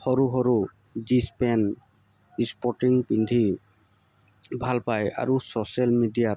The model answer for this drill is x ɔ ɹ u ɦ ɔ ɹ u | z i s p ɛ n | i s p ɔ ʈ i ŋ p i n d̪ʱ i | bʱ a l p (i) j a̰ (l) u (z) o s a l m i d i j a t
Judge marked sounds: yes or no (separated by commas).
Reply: no, no, no